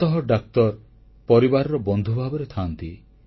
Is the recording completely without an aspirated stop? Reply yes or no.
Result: no